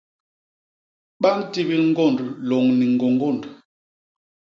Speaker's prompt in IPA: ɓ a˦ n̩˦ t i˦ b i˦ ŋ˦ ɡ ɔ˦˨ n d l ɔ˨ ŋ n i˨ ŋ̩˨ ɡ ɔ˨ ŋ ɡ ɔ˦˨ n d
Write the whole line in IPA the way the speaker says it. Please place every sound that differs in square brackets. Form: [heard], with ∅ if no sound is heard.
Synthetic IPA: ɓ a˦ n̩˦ t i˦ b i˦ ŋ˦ ɡ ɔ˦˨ n d l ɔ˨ ŋ n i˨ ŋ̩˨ ɡ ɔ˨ ŋ ɡ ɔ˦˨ n d